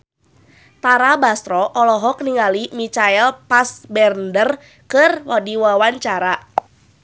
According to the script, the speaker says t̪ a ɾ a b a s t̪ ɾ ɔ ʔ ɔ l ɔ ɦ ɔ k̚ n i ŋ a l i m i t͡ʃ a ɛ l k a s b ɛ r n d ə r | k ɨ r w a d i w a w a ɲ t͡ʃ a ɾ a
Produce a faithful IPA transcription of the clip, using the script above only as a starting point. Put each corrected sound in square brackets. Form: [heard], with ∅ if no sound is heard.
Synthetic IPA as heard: t̪ a ɾ a b a s t̪ ɾ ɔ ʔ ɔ l ɔ ɦ ɔ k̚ n i ŋ a l i m i t͡ʃ a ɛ l [p] a s b ɛ r n d ə r | k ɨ r w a d i w a w a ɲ t͡ʃ a ɾ a